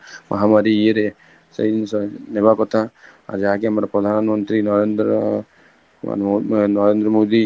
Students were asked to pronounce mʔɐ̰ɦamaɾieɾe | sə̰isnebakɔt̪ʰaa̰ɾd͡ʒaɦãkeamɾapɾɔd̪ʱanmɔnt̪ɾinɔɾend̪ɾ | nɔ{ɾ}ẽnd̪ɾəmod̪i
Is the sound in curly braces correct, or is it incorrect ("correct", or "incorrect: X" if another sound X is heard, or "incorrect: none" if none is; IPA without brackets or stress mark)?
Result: correct